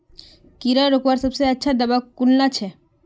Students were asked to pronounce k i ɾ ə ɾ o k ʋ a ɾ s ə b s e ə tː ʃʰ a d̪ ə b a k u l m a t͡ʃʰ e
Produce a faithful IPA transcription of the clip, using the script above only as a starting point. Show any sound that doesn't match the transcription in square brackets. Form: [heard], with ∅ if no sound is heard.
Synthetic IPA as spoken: k i ɾ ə ɾ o k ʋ a ɾ s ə b s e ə tː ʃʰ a d̪ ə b a k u l [n] a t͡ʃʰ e